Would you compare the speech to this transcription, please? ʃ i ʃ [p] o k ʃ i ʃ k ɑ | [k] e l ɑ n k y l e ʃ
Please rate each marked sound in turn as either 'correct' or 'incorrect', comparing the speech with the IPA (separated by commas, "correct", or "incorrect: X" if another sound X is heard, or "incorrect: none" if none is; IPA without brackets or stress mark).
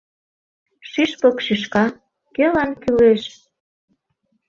correct, correct